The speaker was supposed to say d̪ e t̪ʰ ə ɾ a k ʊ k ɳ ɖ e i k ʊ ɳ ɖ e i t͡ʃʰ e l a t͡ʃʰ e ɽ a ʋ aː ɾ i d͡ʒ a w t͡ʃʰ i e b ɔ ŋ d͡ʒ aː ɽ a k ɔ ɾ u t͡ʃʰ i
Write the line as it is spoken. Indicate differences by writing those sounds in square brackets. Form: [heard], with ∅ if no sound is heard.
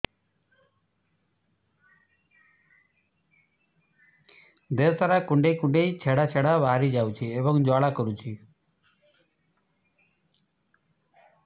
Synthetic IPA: d̪ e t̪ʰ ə ɾ a k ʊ [∅] ɳ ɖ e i k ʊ ɳ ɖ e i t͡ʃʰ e [ɽ] a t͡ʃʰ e ɽ a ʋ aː ɾ i d͡ʒ a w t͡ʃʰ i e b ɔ ŋ d͡ʒ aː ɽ a k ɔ ɾ u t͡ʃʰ i